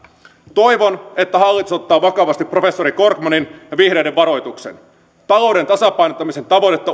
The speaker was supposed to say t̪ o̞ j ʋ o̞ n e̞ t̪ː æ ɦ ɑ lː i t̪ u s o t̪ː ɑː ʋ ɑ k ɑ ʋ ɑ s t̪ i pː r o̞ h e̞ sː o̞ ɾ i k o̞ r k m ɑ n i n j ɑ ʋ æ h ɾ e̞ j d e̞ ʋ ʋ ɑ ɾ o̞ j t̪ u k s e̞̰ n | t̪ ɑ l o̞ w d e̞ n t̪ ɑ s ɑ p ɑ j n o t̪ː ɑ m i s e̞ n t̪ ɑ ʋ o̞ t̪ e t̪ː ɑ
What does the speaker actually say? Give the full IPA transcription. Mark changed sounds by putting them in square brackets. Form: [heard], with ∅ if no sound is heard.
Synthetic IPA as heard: t̪ o̞ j ʋ o̞ n e̞ t̪ː æ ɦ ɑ lː i t̪ u s o t̪ː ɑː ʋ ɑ k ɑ ʋ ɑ s t̪ i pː r o̞ [f] e̞ sː o̞ ɾ i k o̞ r k m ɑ n i n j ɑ ʋ [i] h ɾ e̞ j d e̞ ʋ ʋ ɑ ɾ o̞ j t̪ u k s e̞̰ n | t̪ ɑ l o̞ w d e̞ n t̪ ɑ s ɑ p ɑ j n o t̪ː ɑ m i s e̞ n t̪ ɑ ʋ o̞ t̪ e t̪ː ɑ